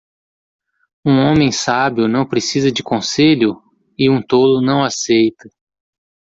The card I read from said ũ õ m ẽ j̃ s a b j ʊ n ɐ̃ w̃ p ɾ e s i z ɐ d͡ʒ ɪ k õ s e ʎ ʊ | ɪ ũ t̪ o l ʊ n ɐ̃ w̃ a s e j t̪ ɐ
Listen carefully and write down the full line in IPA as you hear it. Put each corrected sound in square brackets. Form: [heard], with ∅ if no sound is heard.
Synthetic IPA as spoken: ũ õ m ẽ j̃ s a b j ʊ n ɐ̃ w̃ p ɾ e s i z ɐ d͡ʒ ɪ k õ s e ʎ ʊ | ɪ ũ t̪ o l ʊ n ɐ̃ w̃ a s e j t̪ ɐ